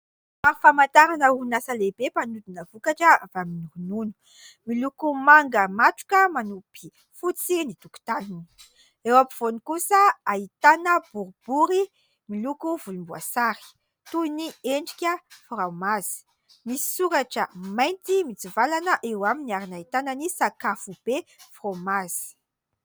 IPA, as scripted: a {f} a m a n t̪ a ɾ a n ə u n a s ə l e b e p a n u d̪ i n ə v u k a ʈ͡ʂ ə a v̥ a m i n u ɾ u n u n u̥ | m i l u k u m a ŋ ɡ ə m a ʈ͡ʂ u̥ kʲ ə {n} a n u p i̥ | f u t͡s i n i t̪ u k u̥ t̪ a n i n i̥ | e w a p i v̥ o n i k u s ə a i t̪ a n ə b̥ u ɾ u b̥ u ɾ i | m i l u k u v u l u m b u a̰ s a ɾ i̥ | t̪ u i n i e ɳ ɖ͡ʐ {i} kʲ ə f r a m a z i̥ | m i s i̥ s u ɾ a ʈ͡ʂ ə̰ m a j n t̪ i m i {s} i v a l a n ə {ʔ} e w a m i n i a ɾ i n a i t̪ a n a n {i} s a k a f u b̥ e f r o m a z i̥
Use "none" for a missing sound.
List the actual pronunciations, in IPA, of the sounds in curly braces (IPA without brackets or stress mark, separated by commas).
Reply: f, m, i, t͡s, ʔ, i